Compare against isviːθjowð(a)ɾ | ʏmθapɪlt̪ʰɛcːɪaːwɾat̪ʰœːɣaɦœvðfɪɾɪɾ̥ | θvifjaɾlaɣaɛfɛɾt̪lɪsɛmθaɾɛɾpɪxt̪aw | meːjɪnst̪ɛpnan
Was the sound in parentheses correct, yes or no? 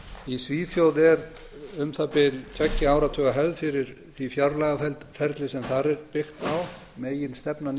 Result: no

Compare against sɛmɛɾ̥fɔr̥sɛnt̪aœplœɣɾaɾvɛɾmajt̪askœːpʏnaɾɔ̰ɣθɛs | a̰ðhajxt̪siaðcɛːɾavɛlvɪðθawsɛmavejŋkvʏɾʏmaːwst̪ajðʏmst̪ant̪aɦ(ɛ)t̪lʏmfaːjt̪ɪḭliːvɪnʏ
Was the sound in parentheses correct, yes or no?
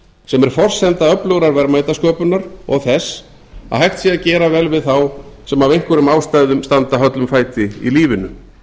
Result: no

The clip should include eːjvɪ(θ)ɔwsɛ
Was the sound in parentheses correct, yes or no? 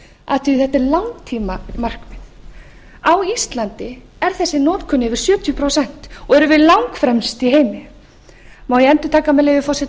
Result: no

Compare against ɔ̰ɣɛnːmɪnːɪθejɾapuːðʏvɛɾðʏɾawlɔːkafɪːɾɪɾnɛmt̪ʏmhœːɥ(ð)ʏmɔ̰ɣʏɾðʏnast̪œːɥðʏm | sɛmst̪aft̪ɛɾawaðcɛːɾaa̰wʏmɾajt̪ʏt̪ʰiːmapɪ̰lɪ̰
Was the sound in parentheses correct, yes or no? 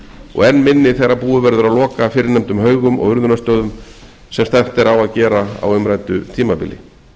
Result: no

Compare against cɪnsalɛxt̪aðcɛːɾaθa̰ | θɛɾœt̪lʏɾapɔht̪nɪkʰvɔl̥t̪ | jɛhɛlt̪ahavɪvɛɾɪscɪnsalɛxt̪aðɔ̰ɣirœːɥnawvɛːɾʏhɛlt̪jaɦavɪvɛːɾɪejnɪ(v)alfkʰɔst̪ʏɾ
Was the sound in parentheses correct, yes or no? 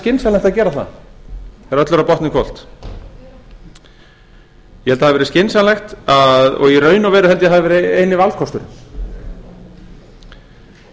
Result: yes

